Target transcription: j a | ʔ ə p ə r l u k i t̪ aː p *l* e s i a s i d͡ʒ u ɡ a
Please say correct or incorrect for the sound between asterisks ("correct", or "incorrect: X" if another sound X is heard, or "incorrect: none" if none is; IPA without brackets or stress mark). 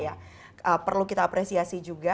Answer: incorrect: ɾ